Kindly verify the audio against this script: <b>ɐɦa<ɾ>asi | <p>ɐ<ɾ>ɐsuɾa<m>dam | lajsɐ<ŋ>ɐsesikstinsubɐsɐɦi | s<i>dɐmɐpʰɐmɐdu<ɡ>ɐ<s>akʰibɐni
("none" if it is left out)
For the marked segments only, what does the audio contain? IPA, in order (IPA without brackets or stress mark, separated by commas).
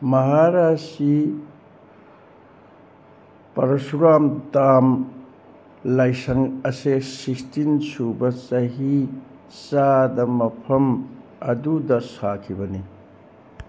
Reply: m, ɾ, p, ɾ, m, ŋ, a, d, s